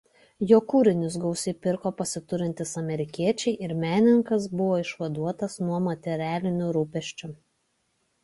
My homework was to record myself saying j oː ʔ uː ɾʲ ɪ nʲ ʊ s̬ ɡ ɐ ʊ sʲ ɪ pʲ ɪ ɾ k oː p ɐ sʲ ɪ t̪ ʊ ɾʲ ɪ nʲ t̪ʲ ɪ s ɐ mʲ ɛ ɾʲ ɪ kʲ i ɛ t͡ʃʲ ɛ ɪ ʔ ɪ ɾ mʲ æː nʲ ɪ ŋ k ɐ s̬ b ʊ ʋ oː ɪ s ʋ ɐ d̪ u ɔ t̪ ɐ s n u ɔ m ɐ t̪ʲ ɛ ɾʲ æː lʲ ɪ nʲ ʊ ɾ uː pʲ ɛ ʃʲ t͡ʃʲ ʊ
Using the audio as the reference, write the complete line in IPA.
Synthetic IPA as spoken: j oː k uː ɾʲ ɪ nʲ ʊ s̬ ɡ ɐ ʊ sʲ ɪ pʲ ɪ ɾ k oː p ɐ sʲ ɪ t̪ ʊ ɾʲ ɪ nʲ t̪ʲ ɪ s ɐ mʲ ɛ ɾʲ ɪ kʲ i ɛ t͡ʃʲ ɛ ɪ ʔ ɪ ɾ mʲ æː nʲ ɪ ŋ k ɐ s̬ b ʊ ʋ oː ɪ ʃ ʋ ɐ d̪ u ɔ t̪ ɐ s n u ɔ m ɐ t̪ʲ ɛ ɾʲ æː lʲ ɪ nʲ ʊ ɾ uː pʲ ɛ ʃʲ t͡ʃʲ ʊ